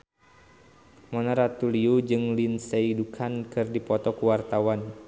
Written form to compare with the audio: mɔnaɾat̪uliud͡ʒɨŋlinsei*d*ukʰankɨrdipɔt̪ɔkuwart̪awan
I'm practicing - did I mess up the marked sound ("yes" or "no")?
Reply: no